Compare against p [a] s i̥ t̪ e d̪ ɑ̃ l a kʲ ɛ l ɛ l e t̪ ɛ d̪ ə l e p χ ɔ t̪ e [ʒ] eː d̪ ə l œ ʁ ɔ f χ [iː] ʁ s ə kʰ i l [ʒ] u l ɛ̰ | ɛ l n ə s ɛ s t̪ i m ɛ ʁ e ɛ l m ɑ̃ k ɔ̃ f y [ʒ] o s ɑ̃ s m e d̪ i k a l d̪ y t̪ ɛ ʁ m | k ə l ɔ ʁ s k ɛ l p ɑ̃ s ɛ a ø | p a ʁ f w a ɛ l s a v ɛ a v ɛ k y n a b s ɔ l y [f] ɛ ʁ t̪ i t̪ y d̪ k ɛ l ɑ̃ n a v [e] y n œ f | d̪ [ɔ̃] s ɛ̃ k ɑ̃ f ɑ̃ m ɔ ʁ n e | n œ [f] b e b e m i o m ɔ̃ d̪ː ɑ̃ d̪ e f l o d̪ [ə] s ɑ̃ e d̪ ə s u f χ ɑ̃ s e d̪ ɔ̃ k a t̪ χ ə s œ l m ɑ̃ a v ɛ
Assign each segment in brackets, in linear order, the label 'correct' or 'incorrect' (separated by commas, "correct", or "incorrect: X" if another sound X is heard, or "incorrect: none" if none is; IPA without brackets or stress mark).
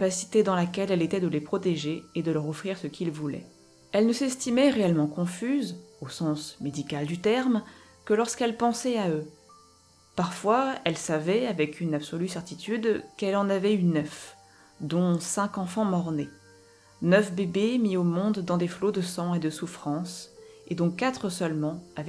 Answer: correct, correct, incorrect: i, incorrect: v, incorrect: z, incorrect: s, incorrect: ɛ, correct, correct, correct